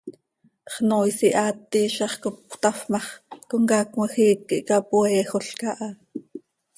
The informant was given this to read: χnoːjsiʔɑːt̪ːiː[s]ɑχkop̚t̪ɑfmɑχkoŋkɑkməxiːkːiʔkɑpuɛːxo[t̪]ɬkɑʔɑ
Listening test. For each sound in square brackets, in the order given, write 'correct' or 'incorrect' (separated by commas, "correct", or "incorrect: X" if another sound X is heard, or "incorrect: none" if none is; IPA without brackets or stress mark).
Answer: incorrect: ʃ, incorrect: none